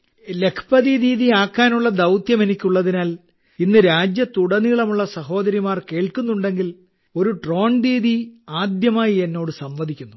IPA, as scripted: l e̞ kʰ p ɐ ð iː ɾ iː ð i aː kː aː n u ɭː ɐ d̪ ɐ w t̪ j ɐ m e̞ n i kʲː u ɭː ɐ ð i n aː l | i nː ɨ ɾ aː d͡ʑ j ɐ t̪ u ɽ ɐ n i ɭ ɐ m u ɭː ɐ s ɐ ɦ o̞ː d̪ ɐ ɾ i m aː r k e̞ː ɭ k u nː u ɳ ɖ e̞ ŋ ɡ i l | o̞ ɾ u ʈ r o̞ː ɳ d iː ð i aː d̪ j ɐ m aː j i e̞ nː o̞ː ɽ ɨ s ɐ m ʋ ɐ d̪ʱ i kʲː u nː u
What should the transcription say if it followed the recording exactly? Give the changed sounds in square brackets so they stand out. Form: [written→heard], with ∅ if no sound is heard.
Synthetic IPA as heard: l e̞ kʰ p ɐ ð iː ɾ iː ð i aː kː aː n u ɭː ɐ d̪ ɐ w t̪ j ɐ m e̞ n i kʲː u ɭː ɐ ð i n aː l | i nː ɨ ɾ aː d͡ʑ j ɐ t̪ u ɽ ɐ n i ɭ ɐ m u ɭː ɐ s ɐ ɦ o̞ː d̪ ɐ ɾ i m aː r k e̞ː ɭ k u nː u ɳ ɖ e̞ ŋ ɡ i l | o̞ ɾ u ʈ r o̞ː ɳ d iː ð i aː d̪ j ɐ m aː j i e̞ nː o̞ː ɽ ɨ s ɐ m ʋ ɐ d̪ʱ i kʲː u nː u